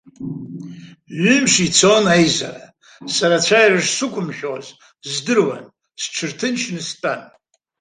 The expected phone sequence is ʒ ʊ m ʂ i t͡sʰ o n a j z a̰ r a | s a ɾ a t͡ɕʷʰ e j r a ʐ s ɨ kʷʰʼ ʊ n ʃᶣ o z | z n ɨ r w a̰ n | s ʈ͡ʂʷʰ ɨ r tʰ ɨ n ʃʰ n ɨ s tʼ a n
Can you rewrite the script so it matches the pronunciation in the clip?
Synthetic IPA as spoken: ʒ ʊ m ʂ i t͡sʰ o n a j z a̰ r a | s a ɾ a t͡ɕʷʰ a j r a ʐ s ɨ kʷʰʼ ʊ m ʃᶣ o z | z d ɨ r w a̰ n | s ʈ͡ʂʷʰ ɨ r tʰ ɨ n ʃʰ n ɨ s tʼ a n